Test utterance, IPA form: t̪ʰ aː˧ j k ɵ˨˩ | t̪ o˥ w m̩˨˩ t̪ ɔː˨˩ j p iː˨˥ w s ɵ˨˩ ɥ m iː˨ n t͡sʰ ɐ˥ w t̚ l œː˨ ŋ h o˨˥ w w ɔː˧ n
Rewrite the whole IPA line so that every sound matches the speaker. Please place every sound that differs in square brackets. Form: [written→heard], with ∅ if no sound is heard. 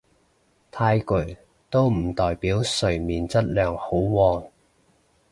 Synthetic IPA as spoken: t̪ʰ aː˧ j k ɵ˨˩ | t̪ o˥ w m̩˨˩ t̪ ɔː˨˩ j p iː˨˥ w s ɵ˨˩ ɥ m iː˨ n [t͡sʰ→t͡s] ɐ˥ [w→∅] t̚ l œː˨ ŋ h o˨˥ w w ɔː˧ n